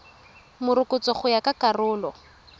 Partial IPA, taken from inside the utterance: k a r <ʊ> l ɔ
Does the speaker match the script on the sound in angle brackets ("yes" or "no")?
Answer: no